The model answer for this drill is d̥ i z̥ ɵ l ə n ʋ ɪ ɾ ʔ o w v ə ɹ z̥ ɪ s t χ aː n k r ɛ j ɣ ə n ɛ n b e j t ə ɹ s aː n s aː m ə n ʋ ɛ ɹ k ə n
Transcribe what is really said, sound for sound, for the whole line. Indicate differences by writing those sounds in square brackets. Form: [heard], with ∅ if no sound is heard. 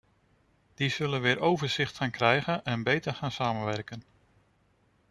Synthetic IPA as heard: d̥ i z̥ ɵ l ə n ʋ [ɪː] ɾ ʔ o w v ə ɹ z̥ ɪ [χ] t χ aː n k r ɛ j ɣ ə n ɛ n b e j t ə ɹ [χ] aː n s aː m ə n ʋ ɛ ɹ k ə n